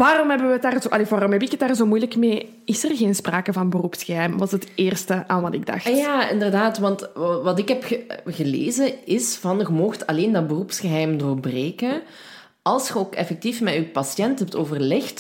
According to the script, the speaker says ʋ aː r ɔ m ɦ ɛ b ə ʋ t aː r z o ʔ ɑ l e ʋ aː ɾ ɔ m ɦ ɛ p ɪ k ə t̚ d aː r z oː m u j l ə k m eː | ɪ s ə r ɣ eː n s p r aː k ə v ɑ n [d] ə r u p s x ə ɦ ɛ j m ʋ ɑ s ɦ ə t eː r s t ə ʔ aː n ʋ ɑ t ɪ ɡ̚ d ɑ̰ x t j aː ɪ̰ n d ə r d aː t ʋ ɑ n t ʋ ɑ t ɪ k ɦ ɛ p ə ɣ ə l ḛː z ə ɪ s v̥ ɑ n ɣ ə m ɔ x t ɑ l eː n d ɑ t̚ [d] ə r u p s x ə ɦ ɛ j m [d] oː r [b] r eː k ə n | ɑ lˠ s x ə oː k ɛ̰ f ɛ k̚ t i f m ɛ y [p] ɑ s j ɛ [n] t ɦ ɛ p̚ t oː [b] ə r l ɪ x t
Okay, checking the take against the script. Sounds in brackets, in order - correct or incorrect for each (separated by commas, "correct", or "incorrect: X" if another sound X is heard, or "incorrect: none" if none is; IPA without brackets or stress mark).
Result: incorrect: b, incorrect: b, correct, correct, correct, correct, incorrect: v